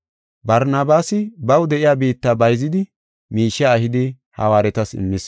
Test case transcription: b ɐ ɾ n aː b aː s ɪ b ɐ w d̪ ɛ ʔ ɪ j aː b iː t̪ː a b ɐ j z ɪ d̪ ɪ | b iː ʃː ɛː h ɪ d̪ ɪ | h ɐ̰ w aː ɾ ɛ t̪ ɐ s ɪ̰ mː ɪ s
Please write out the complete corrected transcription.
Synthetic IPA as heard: b ɐ ɾ n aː b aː s ɪ b ɐ w d̪ ɛ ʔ ɪ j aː b iː t̪ː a b ɐ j z ɪ d̪ ɪ | m iː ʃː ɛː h ɪ d̪ ɪ | h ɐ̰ w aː ɾ ɛ t̪ ɐ s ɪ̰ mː ɪ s